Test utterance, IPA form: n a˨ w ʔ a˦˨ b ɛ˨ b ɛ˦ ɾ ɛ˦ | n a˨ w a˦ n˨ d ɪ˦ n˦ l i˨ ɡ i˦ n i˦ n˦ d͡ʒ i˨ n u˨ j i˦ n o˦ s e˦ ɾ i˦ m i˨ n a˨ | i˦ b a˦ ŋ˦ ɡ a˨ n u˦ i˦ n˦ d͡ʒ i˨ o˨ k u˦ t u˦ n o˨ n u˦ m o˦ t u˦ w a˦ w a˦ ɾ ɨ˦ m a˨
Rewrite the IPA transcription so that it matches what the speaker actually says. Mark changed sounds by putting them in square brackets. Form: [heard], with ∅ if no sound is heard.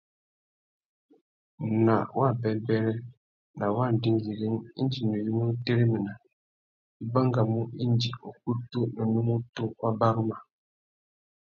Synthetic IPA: n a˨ w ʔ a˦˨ b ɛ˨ b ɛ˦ ɾ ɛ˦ | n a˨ w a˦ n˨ d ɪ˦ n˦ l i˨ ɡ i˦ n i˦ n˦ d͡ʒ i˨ n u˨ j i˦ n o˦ [t] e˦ ɾ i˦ m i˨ n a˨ | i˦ b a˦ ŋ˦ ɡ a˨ [m] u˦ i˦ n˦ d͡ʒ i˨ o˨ k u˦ t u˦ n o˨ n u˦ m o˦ t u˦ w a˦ [b] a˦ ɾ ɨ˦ m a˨